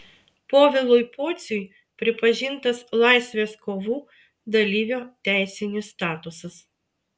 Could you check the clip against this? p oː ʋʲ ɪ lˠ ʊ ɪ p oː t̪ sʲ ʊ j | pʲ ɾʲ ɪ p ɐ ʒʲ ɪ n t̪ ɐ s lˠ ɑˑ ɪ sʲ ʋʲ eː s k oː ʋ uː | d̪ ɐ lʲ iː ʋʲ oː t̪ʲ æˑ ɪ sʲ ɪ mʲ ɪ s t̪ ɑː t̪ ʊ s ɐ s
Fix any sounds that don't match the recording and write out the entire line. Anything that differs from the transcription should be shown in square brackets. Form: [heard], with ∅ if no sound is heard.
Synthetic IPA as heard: p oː ʋʲ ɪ lˠ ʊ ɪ p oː t̪ sʲ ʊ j | pʲ ɾʲ ɪ p ɐ ʒʲ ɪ n t̪ ɐ s lˠ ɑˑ ɪ sʲ ʋʲ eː s k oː ʋ uː | d̪ ɐ lʲ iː ʋʲ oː t̪ʲ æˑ ɪ sʲ ɪ [nʲ] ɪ s t̪ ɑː t̪ ʊ s ɐ s